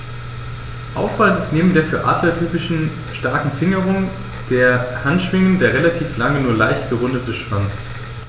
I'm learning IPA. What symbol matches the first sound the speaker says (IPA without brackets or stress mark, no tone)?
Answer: ʔ